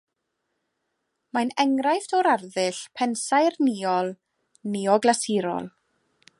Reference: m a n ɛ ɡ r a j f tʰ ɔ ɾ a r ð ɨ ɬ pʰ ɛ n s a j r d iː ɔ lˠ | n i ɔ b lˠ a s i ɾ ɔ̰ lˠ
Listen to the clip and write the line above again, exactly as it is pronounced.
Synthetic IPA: m a n ɛ ŋ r a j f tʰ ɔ ɾ a r ð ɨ ɬ pʰ ɛ n s a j r n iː ɔ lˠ | n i ɔ ɡ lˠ a s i ɾ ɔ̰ lˠ

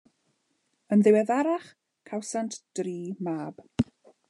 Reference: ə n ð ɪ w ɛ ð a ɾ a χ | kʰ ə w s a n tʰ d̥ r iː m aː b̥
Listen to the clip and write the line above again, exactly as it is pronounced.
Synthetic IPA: ə n ð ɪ w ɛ ð a ɾ a χ | kʰ a w s a n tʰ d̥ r iː m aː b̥

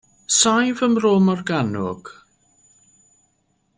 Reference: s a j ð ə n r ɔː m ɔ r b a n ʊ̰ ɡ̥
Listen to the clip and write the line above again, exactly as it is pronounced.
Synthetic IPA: s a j v ə m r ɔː m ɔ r ɡ a n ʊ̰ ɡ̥

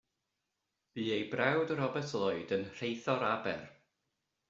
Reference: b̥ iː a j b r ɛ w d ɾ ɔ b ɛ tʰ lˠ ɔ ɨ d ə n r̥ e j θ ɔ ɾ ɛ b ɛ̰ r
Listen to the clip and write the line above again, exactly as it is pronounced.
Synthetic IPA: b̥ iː e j b r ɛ w d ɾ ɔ b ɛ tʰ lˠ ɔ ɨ d ə n r̥ e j θ ɔ ɾ a b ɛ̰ r

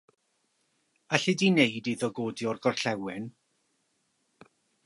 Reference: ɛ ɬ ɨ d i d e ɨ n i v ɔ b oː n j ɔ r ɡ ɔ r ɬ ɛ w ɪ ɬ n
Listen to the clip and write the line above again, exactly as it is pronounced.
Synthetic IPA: a ɬ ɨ d i n e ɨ d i ð ɔ ɡ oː d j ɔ r ɡ ɔ r ɬ ɛ w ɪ n

